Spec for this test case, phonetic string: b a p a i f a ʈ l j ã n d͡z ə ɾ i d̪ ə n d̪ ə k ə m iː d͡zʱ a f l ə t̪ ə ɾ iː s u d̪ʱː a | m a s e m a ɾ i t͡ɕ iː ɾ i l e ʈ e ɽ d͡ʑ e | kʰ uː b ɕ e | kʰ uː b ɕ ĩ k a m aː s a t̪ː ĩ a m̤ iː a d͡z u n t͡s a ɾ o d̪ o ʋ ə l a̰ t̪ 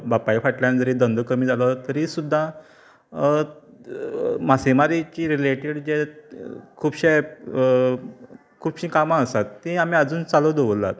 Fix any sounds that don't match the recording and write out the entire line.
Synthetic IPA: b a p a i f a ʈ l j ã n d͡z ə ɾ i d̪ ə n d̪ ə k ə m iː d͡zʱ a l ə t̪ ə ɾ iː s u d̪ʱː a | m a s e m a ɾ i t͡ɕ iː ɾ i l e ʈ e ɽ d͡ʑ e | kʰ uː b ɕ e | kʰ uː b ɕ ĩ k a m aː s a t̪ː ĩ a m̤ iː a d͡z uː n t͡s a l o d̪ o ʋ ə l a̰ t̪

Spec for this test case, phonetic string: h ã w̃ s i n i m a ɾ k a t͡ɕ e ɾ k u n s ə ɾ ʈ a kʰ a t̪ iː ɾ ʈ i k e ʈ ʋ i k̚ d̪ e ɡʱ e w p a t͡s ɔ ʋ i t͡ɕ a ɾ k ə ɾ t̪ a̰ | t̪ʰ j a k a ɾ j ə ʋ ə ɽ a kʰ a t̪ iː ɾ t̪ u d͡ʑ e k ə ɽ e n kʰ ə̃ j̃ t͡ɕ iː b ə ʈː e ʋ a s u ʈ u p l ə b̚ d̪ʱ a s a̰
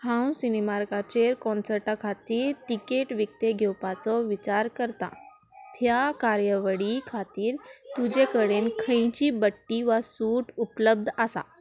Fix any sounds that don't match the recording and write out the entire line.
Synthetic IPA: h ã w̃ s i n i m a ɾ k a t͡ɕ e ɾ k ɔ n s ə ɾ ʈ a kʰ a t̪ iː ɾ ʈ i k e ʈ ʋ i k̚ t̪ e ɡʱ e w p a t͡s ɔ ʋ i t͡ɕ a ɾ k ə ɾ t̪ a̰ | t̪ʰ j a k a ɾ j ə ʋ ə ɽ i kʰ a t̪ iː ɾ t̪ u d͡ʑ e k ə ɽ e n kʰ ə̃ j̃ t͡ɕ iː b ə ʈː i ʋ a s u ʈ u p l ə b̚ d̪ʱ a s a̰

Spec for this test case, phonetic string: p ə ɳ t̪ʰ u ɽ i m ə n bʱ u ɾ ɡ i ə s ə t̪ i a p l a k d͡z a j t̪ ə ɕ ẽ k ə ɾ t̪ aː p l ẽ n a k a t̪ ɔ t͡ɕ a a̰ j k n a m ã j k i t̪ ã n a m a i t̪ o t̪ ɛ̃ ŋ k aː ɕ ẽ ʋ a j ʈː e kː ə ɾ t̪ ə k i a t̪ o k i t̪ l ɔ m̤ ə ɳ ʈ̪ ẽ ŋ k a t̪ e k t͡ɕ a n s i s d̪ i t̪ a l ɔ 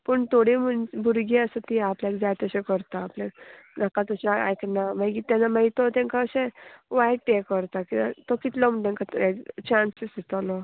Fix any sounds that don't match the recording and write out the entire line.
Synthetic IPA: p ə ɳ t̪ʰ o ɽ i m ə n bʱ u ɾ ɡ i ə s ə t̪ i a p l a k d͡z a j t̪ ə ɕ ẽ k ə ɾ t̪ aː p l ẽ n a k a t̪ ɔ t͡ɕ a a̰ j k n a m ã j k i t̪ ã n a m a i t̪ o t̪ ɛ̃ ŋ k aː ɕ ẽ ʋ a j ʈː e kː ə ɾ t̪ a k i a t̪ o k i t̪ l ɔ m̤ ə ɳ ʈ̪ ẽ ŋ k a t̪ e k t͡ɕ a n s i s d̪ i t̪ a l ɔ

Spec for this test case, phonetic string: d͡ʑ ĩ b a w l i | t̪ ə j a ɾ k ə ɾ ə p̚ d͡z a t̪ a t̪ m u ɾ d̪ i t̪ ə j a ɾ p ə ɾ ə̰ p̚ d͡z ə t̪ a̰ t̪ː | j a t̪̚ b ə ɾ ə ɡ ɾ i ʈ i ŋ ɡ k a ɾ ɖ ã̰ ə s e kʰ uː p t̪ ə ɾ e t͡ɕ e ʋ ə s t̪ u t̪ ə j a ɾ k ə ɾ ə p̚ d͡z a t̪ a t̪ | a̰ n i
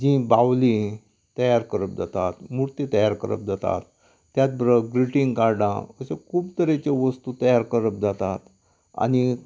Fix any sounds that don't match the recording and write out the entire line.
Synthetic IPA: d͡ʑ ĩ b a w l i | t̪ ə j a ɾ k ə ɾ ə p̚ d͡z a t̪ a t̪ m u ɾ t̪ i t̪ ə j a ɾ k ə ɾ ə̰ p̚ d͡z a t̪ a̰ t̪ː | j a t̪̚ b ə ɾ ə ɡ ɾ i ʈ i ŋ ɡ k a ɾ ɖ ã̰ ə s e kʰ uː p t̪ ə ɾ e t͡ɕ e ʋ ə s t̪ u t̪ ə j a ɾ k ə ɾ ə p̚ d͡z a t̪ a t̪ | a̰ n i

